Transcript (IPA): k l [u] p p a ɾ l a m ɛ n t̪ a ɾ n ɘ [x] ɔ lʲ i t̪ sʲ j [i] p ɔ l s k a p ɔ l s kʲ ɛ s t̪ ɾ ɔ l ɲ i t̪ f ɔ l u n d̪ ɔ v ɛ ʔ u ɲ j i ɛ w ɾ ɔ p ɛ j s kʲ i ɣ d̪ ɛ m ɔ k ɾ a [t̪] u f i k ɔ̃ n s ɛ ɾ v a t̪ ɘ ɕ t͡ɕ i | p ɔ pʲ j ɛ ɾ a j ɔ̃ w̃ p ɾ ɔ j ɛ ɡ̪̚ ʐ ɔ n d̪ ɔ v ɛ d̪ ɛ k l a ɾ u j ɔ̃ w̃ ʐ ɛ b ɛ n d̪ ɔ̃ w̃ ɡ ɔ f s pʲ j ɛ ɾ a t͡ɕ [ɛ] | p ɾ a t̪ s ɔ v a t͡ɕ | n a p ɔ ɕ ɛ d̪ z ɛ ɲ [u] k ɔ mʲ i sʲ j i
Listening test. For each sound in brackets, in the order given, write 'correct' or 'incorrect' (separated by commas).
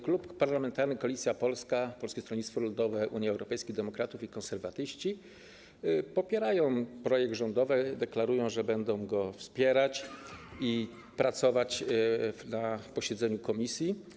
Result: correct, incorrect, incorrect, correct, incorrect, correct